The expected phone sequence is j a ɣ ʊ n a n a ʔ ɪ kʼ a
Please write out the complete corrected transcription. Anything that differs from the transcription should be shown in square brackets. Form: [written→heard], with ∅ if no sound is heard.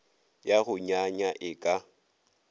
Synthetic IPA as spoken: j a ɣ ʊ [n→ɲ] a [n→ɲ] a ʔ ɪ kʼ a